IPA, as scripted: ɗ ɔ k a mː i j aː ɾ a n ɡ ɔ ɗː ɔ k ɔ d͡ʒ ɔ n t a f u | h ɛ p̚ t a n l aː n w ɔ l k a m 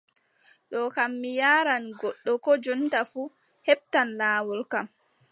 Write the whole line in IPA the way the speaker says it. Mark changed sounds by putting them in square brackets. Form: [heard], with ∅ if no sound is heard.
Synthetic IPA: ɗ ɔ k a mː i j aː ɾ a n ɡ ɔ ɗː ɔ k ɔ d͡ʒ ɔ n t a f u | h ɛ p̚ t a n l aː [∅] w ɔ l k a m